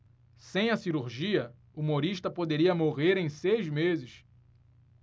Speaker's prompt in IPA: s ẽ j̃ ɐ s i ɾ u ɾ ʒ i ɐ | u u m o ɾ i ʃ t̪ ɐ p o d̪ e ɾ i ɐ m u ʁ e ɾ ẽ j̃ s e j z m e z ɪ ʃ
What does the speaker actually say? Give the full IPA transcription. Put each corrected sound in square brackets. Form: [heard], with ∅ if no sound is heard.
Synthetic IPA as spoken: s ẽ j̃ ɐ s i ɾ u ɾ ʒ i ɐ | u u m o ɾ i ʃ t̪ ɐ p o d̪ e ɾ i ɐ m [o] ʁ e ɾ ẽ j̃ s e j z m e z ɪ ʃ